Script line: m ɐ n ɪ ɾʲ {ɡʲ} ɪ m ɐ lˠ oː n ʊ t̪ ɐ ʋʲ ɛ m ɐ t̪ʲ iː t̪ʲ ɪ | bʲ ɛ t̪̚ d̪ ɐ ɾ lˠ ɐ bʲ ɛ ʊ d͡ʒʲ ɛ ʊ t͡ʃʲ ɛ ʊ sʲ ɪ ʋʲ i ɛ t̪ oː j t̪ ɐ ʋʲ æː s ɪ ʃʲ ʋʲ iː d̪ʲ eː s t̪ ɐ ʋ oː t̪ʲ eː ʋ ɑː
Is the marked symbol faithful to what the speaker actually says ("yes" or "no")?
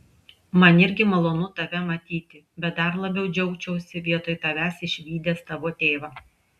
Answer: yes